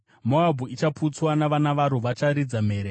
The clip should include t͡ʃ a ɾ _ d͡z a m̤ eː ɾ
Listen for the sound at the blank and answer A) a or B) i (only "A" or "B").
B